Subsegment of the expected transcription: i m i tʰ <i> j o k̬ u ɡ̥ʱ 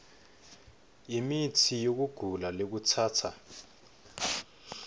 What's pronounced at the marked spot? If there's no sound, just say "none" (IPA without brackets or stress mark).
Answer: i